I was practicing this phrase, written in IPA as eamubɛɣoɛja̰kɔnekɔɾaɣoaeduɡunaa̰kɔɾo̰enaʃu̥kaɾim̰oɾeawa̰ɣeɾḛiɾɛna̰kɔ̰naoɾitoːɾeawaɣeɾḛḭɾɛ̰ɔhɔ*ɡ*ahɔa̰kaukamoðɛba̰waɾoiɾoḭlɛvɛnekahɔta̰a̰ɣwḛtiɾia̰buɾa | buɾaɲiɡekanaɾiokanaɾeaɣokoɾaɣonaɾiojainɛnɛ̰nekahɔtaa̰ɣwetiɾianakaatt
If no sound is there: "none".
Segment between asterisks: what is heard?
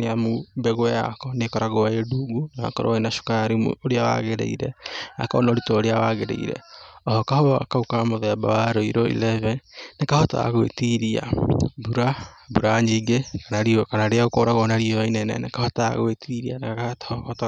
k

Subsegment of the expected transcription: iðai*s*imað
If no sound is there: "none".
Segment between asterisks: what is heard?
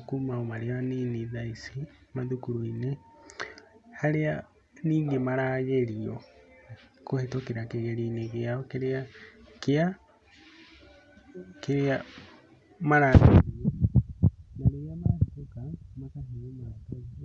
s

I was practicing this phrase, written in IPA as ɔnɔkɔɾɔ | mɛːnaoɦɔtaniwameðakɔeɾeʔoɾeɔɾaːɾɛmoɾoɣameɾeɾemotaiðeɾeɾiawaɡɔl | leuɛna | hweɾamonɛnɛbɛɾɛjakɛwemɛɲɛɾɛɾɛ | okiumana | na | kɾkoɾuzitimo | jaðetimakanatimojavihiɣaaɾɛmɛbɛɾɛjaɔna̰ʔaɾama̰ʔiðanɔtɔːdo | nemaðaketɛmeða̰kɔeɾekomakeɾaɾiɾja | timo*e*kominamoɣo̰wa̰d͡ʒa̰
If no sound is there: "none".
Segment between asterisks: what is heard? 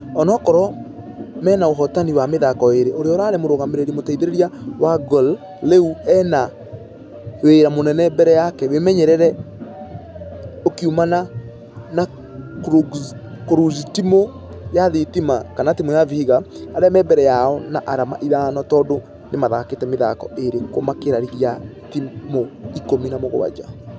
i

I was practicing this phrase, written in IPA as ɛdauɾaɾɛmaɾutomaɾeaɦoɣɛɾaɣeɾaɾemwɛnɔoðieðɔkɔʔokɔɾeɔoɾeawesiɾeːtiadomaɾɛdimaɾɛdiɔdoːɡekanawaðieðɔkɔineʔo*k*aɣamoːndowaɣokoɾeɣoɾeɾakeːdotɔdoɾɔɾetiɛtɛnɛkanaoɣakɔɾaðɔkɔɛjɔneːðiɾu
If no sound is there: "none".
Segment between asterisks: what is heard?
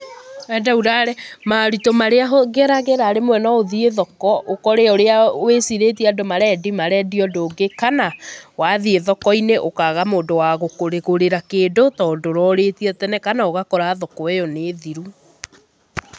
k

